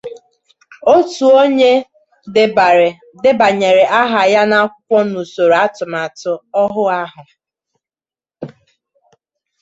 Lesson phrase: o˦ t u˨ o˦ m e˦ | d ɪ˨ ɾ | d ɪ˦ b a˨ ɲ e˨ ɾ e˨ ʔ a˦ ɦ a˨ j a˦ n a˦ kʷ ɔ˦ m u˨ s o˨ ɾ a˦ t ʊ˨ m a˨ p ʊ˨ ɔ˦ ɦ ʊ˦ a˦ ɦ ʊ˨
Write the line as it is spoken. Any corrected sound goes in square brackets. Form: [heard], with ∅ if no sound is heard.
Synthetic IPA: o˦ t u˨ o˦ [ɲ] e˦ | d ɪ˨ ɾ | d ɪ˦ b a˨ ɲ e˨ ɾ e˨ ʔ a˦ ɦ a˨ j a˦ n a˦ kʷ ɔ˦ [n] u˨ s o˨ ɾ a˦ t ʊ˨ m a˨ [t] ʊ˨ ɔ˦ ɦ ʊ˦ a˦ ɦ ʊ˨